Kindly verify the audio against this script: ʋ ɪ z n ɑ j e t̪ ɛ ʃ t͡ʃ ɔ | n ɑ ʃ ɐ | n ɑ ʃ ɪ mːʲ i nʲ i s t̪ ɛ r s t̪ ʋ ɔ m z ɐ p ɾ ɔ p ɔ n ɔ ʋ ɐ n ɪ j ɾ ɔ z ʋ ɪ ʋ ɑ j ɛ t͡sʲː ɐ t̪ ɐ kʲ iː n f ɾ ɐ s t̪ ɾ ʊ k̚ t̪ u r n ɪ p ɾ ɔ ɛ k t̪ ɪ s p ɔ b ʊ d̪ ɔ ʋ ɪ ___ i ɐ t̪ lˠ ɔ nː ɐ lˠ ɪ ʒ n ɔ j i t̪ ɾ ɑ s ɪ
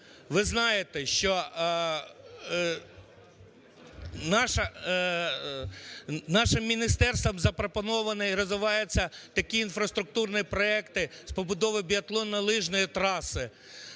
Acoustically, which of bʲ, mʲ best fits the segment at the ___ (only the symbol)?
bʲ